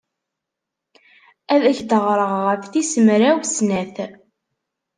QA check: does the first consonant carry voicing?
yes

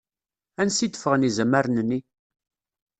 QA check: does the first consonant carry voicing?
yes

